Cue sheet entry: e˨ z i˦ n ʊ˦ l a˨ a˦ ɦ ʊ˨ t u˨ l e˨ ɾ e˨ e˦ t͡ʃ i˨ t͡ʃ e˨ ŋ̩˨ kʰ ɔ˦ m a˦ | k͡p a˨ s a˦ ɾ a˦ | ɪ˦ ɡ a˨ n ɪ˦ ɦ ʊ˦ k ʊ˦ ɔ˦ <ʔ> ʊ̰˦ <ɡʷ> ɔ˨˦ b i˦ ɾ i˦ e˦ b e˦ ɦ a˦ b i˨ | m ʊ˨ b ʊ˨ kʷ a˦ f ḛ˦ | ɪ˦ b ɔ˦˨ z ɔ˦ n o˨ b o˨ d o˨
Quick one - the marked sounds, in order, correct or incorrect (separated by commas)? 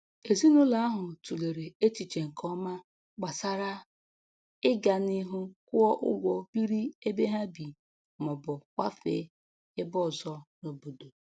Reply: correct, correct